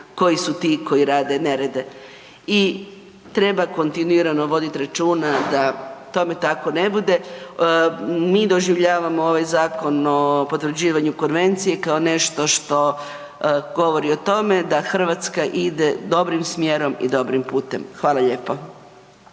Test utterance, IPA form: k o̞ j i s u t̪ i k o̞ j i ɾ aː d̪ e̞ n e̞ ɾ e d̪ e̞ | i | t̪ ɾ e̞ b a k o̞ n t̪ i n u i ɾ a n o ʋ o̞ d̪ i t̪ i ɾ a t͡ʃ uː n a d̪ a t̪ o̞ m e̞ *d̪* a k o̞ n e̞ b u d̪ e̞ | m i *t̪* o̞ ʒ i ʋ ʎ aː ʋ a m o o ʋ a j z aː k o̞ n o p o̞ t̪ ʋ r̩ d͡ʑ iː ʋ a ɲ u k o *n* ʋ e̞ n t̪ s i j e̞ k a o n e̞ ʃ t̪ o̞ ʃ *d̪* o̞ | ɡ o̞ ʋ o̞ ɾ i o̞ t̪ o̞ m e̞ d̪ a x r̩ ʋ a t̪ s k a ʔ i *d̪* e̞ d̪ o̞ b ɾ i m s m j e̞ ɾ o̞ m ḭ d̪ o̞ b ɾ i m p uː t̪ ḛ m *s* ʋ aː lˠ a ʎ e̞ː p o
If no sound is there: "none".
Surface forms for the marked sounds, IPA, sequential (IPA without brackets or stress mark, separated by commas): t̪, d̪, n, t̪, d̪, x